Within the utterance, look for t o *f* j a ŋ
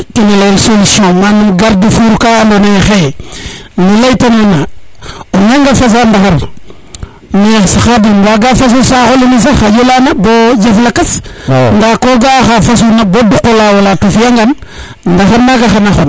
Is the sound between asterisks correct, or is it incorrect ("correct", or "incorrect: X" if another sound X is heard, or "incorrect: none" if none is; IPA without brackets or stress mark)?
correct